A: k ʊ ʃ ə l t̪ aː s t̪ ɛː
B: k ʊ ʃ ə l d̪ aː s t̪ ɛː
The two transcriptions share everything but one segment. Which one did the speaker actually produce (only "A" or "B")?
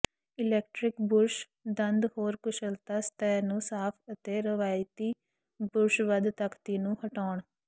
A